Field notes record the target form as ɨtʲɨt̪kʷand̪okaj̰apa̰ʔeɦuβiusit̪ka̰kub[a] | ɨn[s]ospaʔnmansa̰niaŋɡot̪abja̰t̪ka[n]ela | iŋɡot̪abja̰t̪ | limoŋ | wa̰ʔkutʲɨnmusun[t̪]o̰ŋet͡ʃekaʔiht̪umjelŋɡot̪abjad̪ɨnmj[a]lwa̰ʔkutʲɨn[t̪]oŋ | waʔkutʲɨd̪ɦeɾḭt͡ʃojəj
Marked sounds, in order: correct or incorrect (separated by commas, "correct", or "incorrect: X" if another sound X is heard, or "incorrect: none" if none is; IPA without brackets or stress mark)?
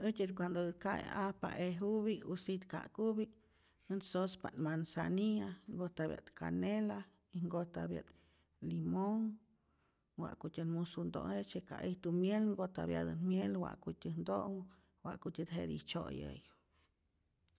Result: incorrect: i, correct, correct, incorrect: d̪, incorrect: e, incorrect: d̪